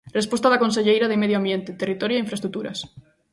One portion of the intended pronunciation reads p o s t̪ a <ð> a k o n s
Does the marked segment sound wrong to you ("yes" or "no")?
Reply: no